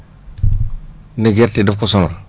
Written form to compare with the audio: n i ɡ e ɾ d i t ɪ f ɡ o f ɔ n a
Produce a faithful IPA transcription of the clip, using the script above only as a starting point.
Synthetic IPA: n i ɡ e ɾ t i d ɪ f k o s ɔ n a

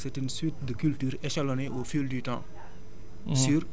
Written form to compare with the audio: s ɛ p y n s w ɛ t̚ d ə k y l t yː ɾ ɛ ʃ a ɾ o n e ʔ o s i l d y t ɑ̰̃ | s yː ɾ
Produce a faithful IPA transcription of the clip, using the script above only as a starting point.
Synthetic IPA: s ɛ t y n s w i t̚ d ə k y l t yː ɾ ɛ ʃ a l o n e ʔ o f i l d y t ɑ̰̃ | s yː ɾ

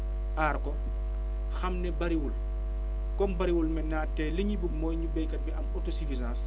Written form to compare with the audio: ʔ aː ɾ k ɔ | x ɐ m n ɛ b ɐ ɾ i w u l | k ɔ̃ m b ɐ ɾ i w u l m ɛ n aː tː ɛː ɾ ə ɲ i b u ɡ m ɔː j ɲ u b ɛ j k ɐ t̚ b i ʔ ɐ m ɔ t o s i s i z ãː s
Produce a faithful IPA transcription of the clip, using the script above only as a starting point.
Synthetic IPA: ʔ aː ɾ k ɔ | x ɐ m n ɛ b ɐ ɾ i w u l | k ɔ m b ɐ ɾ i w u l m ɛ n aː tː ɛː l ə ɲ i b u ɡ m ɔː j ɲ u b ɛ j k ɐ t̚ b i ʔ ɐ m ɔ t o s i f i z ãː s

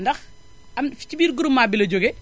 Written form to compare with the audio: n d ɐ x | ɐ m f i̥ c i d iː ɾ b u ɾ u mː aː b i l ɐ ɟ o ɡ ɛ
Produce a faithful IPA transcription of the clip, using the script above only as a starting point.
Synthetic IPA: n d ɐ x | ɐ m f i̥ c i b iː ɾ ɡ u ɾ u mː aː b i l ɐ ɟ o ɡ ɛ

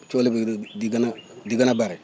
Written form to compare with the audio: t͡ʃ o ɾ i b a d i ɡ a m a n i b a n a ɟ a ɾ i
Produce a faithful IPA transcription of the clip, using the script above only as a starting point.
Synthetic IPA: t͡ʃ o l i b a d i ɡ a n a d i ɡ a n a b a ɾ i

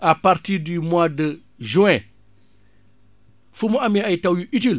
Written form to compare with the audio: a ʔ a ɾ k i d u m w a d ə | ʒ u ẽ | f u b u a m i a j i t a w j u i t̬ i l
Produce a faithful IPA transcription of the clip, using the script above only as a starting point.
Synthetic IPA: a p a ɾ t i d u m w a d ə | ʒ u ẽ | f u m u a m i a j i t a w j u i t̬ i l

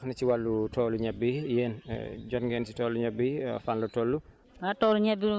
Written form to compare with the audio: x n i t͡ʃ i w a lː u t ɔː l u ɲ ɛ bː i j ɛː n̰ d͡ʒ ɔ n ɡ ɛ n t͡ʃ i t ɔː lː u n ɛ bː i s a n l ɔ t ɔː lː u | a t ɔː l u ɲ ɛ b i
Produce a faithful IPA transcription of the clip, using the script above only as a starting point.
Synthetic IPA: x n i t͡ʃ i w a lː u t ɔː l u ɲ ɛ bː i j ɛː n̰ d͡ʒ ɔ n ɡ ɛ n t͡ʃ i t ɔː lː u ɲ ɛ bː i f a n l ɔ t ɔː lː u | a t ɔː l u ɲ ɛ b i

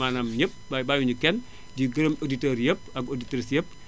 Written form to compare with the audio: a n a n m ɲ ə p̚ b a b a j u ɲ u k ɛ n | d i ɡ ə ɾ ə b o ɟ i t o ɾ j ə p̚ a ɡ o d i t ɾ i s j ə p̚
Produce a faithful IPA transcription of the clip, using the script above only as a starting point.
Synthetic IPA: a n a m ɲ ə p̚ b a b a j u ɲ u k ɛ n | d i ɡ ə ɾ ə m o d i t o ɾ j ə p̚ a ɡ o d i t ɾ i s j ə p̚

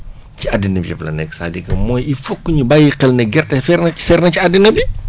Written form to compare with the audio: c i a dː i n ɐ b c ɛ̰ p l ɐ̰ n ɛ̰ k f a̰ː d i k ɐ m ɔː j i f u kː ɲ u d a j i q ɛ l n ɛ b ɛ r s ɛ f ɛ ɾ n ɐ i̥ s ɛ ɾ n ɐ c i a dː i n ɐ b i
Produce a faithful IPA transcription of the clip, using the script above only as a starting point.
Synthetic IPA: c i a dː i n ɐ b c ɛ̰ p l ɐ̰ n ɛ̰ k s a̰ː d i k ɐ m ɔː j i f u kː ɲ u b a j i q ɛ l n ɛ ɡ ɛ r t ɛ f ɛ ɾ n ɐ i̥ s ɛ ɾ n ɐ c i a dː i n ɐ b i

